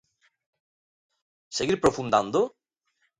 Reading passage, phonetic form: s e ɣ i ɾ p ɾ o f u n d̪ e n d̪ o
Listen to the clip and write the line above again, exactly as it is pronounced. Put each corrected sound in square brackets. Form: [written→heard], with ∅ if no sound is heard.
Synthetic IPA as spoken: s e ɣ i ɾ p ɾ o f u n d̪ [e→a] n d̪ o